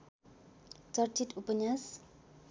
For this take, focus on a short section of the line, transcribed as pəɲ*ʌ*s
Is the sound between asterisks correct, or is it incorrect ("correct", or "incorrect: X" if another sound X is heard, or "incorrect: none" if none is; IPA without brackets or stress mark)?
incorrect: a